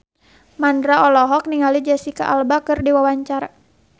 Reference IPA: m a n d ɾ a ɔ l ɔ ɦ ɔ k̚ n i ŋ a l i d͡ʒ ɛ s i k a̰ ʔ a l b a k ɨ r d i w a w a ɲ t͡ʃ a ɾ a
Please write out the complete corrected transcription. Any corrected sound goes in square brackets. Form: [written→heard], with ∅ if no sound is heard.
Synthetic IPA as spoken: m a n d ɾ a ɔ l ɔ ɦ ɔ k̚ n i ŋ a l i d͡ʒ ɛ s i k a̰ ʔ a l b a k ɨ r d i w a w a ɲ t͡ʃ a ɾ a